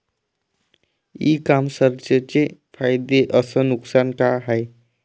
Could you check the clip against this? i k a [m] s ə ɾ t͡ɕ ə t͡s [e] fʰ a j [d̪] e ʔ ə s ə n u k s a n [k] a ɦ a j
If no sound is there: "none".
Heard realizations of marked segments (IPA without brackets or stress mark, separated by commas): m, e, d̪, k